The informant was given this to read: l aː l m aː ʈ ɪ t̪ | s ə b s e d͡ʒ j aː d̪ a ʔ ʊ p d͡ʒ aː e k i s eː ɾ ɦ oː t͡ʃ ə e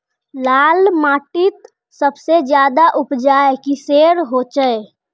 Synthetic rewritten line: l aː l m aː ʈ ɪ t̪ | s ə b s e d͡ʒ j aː d̪ a ʔ ʊ p d͡ʒ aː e k i s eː ɾ ɦ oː t͡ʃ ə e